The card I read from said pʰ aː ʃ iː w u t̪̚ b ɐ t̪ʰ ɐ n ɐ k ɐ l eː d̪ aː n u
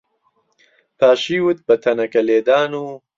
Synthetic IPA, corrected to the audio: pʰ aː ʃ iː w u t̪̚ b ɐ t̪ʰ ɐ n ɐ k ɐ l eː d̪ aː n u